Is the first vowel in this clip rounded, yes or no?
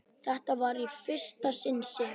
no